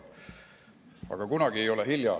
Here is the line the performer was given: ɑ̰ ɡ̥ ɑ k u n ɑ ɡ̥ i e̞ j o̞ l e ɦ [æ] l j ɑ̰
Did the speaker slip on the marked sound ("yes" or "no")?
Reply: yes